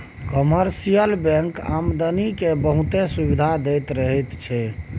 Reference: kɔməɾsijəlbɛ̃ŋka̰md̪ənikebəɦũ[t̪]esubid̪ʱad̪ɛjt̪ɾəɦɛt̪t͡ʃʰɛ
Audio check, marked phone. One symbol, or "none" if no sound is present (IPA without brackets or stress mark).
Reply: t̪